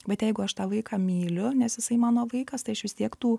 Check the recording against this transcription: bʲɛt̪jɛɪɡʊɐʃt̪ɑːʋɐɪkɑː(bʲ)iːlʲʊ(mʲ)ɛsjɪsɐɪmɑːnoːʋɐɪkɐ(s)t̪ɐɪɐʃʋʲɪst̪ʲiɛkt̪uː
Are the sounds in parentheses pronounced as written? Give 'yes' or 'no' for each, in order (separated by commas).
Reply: no, no, yes